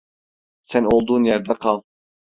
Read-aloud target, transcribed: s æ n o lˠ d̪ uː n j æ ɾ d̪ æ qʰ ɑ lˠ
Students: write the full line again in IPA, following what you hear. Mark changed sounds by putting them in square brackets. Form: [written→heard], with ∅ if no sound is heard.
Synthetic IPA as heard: s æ n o lˠ d̪ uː n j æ ɾ d̪ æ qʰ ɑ lˠ

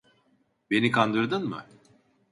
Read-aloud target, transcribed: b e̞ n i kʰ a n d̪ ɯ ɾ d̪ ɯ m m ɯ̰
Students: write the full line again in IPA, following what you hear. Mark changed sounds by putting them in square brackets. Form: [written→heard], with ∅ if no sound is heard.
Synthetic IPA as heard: b e̞ n i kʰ a n d̪ ɯ ɾ d̪ ɯ [m→n] m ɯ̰

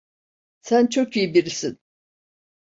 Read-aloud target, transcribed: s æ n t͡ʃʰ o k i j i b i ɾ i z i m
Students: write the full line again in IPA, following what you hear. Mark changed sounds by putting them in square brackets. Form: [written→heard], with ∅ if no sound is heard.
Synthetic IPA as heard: s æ n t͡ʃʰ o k i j i b i ɾ i [z→s] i [m→n]

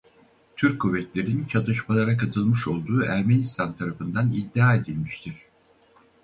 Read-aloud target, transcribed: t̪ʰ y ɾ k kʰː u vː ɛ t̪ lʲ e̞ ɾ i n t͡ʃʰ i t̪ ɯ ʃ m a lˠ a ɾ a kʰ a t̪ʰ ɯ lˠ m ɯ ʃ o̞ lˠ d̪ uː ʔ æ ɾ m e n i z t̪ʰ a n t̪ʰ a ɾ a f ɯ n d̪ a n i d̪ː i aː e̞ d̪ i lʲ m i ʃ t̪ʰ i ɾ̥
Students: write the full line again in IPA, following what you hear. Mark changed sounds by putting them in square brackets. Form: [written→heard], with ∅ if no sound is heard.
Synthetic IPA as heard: t̪ʰ y ɾ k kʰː u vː ɛ t̪ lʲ e̞ ɾ i n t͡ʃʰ [i→a] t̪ ɯ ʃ m a lˠ a ɾ a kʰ a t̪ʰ ɯ lˠ m ɯ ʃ o̞ lˠ d̪ uː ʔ æ ɾ m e n i [z→s] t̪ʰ a n t̪ʰ a ɾ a f ɯ n d̪ a n i d̪ː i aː e̞ d̪ i lʲ m i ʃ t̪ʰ i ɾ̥

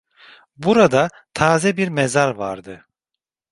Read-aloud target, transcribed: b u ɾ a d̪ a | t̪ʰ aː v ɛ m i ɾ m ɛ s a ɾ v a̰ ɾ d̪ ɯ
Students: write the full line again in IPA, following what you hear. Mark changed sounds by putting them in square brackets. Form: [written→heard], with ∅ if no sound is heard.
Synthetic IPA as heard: b u ɾ a d̪ a | t̪ʰ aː [v→z] ɛ [m→b] i ɾ m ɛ [s→z] a ɾ v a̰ ɾ d̪ ɯ

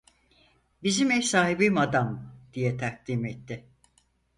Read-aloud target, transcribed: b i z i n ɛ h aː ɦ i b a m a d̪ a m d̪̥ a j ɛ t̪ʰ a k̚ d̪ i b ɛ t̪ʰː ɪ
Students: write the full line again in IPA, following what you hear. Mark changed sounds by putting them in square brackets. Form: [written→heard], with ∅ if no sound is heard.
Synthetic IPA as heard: b i z i [n→m] ɛ [h→s] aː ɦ i b [a→i] m a d̪ a m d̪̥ [a→i] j ɛ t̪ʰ a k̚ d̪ i [b→m] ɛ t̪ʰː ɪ

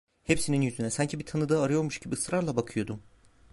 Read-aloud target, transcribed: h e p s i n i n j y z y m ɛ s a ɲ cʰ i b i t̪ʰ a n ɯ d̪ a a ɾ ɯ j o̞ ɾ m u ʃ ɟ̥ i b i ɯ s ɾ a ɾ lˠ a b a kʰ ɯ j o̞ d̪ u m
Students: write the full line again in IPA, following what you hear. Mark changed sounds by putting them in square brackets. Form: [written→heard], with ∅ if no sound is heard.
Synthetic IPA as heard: h e p s i n i n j y z y [m→n] ɛ s a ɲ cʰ i b i t̪ʰ a n ɯ d̪ a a ɾ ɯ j o̞ ɾ m u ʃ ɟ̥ i b i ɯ s ɾ a ɾ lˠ a b a kʰ ɯ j o̞ d̪ u m

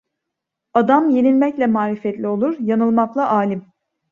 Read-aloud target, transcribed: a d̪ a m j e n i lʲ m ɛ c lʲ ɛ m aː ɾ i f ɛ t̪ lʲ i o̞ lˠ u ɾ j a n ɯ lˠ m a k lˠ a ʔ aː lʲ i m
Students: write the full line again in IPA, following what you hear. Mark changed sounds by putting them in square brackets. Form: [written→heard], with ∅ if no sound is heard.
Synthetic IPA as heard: a d̪ a m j e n i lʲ m ɛ c lʲ ɛ m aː ɾ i f ɛ t̪ lʲ i o̞ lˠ u ɾ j a n ɯ lˠ m a k lˠ a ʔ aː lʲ i m

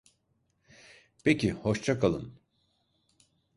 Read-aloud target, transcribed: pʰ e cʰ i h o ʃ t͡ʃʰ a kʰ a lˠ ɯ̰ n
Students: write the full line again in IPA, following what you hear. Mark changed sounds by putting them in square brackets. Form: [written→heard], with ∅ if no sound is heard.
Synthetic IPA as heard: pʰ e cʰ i h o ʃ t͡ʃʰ a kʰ a lˠ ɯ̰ n

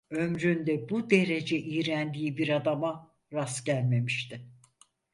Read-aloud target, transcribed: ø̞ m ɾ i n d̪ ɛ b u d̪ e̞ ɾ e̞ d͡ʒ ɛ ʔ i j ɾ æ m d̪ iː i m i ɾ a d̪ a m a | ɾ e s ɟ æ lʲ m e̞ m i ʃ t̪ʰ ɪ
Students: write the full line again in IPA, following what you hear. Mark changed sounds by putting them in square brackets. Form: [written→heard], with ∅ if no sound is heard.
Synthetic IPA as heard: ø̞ m ɾ [i→y] n d̪ ɛ b u d̪ e̞ ɾ e̞ d͡ʒ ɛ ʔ i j ɾ æ [m→n] d̪ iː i [m→b] i ɾ a d̪ a m a | ɾ [e→a] s ɟ æ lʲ m e̞ m i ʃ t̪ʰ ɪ

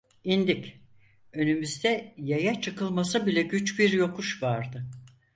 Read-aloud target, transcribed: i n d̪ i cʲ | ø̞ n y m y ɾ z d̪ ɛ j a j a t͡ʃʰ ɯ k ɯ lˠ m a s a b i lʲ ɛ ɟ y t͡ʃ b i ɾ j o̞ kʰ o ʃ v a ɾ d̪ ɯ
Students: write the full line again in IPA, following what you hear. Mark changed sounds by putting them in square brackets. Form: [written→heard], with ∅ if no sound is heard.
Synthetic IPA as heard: i n d̪ i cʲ | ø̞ n y m y [ɾ→∅] z d̪ ɛ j a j a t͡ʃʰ ɯ k ɯ lˠ m a s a b i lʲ ɛ ɟ y t͡ʃ b i ɾ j o̞ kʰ [o→u] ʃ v a ɾ d̪ ɯ

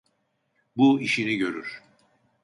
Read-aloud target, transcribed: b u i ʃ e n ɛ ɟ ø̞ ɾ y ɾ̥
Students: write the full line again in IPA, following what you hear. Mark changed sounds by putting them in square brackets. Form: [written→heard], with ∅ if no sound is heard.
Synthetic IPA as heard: b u i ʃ [e→i] n [ɛ→i] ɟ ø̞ ɾ y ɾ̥

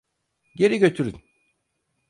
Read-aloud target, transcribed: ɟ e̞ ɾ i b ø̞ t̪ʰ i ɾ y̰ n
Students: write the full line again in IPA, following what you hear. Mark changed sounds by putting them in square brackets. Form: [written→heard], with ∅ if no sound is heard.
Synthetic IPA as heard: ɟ e̞ ɾ i [b→ɟ] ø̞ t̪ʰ [i→y] ɾ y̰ n

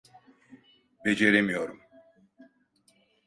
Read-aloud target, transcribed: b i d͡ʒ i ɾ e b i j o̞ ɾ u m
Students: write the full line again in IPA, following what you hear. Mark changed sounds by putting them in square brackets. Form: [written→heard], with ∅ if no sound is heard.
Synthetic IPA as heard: b [i→e] d͡ʒ [i→e] ɾ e [b→m] i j o̞ ɾ u m

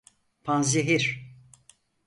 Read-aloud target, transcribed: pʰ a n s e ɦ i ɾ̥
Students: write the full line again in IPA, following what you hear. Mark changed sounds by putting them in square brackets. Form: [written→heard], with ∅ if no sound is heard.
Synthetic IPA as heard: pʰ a n [s→z] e ɦ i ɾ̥

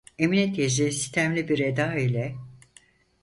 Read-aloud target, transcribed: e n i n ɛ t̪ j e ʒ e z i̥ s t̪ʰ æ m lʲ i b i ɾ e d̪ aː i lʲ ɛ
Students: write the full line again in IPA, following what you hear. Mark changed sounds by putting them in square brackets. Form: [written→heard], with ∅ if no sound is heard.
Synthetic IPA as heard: e [n→m] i n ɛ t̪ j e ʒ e [z→s] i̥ s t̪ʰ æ m lʲ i b i ɾ e d̪ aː i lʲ ɛ

